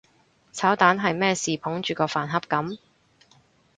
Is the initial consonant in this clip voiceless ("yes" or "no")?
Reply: yes